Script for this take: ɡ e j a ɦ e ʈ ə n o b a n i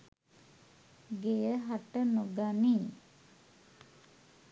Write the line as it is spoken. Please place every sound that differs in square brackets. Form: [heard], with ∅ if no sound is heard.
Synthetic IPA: ɡ e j [ə] ɦ [a] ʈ ə n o [ɡ] a n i